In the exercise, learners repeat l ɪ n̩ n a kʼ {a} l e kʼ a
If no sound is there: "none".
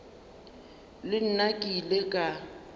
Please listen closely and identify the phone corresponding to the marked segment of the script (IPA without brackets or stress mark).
i